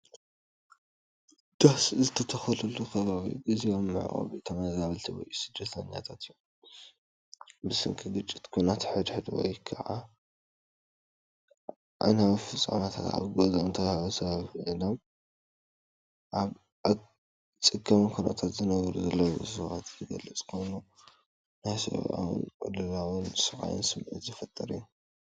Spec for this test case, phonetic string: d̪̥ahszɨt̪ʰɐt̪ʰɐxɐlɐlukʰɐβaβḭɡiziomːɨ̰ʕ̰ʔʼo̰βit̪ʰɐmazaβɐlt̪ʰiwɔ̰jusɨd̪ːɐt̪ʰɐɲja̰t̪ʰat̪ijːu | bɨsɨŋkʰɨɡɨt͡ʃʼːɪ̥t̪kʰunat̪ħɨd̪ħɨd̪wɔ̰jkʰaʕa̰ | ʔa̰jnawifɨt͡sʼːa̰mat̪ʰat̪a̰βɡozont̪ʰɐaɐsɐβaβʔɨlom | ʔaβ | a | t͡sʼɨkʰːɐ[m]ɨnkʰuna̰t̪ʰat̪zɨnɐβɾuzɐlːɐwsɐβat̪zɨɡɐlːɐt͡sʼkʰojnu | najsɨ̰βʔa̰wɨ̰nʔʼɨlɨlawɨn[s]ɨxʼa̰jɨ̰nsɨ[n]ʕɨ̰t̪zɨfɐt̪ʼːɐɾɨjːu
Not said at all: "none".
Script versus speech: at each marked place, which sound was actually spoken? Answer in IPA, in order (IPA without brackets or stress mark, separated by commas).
m, s, m